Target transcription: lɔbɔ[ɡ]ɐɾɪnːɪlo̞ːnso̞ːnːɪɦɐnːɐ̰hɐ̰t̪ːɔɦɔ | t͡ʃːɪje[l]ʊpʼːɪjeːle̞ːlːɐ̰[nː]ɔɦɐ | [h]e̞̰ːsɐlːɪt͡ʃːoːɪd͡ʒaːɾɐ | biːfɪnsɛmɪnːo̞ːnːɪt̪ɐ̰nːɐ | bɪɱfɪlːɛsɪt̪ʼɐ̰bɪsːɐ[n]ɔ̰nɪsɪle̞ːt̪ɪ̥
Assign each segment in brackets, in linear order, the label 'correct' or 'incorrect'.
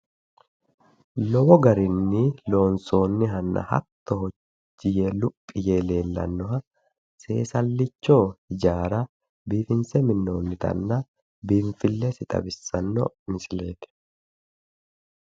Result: correct, correct, correct, incorrect: s, incorrect: nː

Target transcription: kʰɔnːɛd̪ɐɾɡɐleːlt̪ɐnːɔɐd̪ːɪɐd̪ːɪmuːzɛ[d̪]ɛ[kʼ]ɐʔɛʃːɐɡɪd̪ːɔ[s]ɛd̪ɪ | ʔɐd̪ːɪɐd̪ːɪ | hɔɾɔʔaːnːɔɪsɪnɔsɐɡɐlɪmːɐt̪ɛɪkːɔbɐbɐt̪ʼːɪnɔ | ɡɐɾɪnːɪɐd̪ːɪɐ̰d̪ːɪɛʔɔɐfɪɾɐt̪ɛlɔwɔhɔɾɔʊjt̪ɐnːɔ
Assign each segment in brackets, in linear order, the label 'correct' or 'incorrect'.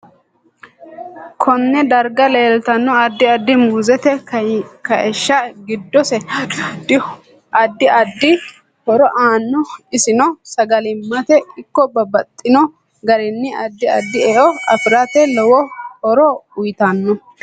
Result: incorrect: t̪, incorrect: k, correct

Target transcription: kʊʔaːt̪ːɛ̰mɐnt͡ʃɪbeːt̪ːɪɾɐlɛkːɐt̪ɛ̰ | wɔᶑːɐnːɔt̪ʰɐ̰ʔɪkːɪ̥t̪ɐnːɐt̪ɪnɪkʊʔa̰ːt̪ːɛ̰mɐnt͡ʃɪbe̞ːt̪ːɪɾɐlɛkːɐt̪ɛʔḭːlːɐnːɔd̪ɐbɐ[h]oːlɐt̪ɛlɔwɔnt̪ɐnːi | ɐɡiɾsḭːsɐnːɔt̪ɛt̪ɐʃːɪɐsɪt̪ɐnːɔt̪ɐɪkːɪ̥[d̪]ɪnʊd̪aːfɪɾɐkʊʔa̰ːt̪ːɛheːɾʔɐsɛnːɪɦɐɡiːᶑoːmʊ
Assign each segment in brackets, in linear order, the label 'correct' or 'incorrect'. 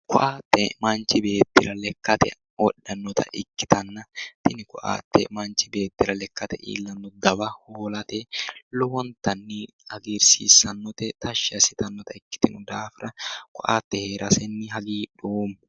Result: correct, incorrect: t̪

